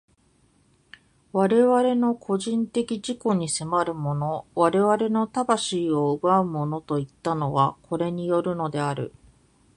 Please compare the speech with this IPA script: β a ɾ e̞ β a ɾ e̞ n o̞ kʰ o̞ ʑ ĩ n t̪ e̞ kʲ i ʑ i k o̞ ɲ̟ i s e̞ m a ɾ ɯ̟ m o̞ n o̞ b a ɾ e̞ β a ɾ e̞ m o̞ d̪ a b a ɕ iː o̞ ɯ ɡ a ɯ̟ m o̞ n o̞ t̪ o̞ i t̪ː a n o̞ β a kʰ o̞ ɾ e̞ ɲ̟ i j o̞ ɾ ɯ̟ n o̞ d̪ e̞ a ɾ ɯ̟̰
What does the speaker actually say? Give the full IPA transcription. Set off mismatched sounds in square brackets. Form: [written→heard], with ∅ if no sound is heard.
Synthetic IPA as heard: β a ɾ e̞ β a ɾ e̞ n o̞ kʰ o̞ ʑ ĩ n t̪ e̞ kʲ i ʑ i k o̞ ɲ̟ i s e̞ m a ɾ ɯ̟ m o̞ n o̞ [b→β] a ɾ e̞ β a ɾ e̞ [m→n] o̞ [d̪→t̪] a b a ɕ iː o̞ ɯ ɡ a ɯ̟ m o̞ n o̞ t̪ o̞ i t̪ː a n o̞ β a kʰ o̞ ɾ e̞ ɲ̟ i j o̞ ɾ ɯ̟ n o̞ d̪ e̞ a ɾ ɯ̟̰